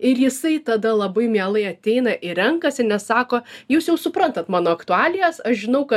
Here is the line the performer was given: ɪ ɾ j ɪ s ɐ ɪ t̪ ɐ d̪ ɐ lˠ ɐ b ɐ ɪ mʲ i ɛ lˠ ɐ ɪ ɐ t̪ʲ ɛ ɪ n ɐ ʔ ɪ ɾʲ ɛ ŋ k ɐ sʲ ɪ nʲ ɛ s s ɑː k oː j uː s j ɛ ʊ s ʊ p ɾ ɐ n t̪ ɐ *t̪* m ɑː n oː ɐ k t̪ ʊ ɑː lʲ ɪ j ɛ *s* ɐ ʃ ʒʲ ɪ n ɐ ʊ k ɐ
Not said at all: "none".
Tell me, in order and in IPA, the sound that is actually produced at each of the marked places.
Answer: t̪, s

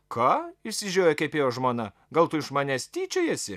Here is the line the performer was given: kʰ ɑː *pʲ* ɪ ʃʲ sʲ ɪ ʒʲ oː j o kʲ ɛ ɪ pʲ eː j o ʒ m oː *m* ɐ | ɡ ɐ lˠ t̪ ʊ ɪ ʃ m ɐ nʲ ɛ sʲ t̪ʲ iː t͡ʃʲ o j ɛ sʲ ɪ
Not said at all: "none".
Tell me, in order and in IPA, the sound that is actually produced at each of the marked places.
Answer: none, n

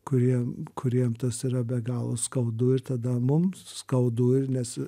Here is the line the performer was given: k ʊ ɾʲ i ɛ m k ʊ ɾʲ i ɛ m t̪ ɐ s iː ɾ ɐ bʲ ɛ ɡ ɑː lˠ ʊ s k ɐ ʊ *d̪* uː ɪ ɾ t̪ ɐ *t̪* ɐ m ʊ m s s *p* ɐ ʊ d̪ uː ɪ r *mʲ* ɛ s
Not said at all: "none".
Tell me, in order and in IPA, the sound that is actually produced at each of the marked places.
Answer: d̪, d̪, k, nʲ

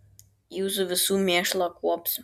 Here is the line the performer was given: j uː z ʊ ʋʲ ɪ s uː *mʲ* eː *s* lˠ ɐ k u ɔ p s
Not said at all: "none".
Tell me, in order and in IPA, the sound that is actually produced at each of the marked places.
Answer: mʲ, ʃ

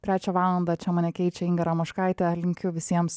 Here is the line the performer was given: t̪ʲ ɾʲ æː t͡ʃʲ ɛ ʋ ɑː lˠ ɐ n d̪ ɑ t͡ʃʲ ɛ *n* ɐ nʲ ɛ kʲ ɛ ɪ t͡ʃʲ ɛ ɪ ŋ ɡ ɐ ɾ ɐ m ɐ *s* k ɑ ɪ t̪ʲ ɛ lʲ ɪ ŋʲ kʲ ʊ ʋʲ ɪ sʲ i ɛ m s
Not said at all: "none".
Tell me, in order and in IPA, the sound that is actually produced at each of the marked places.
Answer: m, ʃ

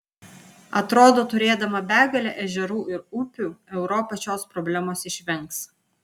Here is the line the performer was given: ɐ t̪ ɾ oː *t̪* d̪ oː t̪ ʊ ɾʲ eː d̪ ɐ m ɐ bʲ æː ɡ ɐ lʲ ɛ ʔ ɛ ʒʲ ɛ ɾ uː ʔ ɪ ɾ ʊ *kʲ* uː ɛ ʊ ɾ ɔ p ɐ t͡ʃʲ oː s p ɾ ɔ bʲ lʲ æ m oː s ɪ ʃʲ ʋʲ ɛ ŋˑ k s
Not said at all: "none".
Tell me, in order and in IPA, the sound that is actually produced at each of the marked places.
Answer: none, pʲ

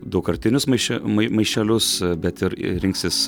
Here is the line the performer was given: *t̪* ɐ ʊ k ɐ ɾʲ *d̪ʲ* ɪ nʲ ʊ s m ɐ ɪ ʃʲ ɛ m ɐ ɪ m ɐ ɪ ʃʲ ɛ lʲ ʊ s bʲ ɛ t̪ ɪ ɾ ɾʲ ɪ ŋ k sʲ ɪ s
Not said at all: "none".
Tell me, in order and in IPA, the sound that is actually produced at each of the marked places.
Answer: d̪, t̪ʲ

